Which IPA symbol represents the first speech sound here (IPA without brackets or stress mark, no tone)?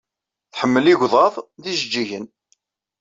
θ